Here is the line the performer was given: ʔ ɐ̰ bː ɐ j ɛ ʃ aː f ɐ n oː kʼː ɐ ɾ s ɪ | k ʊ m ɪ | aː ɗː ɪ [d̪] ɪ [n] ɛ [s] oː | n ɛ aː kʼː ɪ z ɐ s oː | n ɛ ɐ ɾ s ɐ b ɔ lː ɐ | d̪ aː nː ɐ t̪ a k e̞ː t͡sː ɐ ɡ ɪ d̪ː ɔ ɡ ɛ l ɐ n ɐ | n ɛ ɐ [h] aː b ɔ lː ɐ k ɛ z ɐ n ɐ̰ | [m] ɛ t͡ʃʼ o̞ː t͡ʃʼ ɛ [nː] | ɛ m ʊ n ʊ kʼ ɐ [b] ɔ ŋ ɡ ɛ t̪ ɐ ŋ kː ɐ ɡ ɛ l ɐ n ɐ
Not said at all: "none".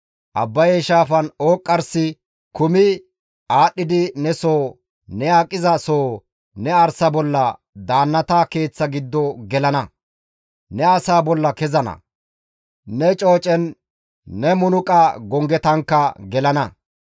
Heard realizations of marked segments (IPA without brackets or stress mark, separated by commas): d̪, n, s, s, n, nː, ɡ